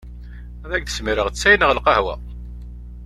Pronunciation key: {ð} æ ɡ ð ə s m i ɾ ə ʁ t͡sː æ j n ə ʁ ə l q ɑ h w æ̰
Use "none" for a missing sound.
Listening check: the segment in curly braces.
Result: ð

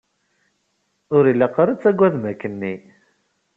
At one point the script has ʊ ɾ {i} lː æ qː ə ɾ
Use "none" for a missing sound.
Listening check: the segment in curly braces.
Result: i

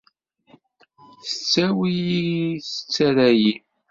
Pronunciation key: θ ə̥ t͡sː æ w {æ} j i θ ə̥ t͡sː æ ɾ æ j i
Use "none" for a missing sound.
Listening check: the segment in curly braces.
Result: i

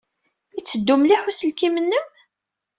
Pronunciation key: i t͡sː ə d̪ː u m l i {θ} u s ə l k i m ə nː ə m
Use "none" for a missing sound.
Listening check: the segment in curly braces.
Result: ħ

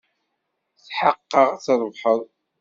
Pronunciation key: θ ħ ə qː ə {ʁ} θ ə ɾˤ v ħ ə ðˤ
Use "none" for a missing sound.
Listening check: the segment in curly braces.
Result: ʁ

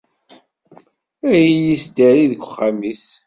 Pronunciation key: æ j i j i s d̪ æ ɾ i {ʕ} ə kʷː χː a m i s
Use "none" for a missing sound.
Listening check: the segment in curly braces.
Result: ð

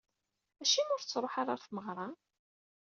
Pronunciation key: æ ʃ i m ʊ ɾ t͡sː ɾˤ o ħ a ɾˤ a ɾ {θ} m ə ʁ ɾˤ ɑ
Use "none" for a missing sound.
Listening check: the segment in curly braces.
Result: θ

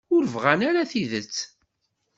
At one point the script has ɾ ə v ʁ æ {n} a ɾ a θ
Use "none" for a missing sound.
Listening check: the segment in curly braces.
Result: n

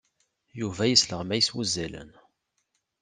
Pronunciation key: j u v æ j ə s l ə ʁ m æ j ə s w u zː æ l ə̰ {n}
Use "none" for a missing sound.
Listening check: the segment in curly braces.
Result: n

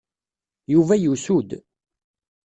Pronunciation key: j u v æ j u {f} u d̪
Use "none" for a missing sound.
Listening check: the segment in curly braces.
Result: s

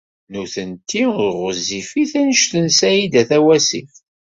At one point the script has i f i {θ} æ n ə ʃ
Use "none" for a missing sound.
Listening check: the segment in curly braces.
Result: θ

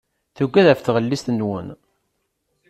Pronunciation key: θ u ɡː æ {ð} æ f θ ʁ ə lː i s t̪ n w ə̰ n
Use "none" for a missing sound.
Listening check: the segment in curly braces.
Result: ð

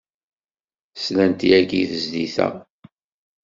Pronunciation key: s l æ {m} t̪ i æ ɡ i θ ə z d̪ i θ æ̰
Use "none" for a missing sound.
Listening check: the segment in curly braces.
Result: n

